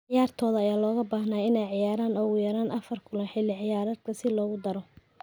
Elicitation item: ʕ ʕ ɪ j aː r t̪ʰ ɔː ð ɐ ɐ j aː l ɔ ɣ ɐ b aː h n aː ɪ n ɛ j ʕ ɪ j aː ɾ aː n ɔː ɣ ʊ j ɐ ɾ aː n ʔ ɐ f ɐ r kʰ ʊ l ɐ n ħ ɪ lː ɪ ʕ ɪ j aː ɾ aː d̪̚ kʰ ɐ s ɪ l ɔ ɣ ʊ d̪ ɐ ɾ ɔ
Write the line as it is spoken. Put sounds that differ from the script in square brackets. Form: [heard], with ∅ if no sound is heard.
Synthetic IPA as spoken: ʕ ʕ ɪ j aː r t̪ʰ ɔː ð ɐ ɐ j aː l [ɔː] ɣ ɐ b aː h n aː ɪ n ɛ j ʕ ɪ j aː ɾ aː n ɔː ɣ ʊ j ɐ ɾ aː n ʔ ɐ f ɐ r kʰ ʊ l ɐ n ħ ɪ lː ɪ ʕ ɪ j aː ɾ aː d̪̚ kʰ ɐ s ɪ l [ɔː] ɣ ʊ d̪ ɐ ɾ ɔ